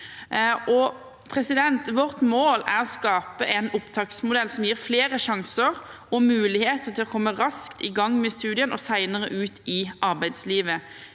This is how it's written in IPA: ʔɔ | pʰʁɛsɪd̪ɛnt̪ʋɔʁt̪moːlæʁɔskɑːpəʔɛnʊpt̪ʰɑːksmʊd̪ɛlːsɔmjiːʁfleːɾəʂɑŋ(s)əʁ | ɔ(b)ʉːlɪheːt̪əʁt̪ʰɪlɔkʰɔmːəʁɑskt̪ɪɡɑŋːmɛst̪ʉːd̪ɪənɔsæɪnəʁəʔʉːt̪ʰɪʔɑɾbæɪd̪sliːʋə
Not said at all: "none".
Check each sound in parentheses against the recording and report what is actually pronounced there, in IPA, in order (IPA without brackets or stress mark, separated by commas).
s, m